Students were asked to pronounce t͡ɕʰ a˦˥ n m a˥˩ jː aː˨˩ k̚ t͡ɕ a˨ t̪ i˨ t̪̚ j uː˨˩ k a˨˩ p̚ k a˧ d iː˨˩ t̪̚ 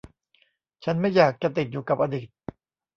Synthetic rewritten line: t͡ɕʰ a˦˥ n m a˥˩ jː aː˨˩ k̚ t͡ɕ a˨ t̪ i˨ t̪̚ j uː˨˩ k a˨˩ p̚ ʔ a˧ d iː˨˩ t̪̚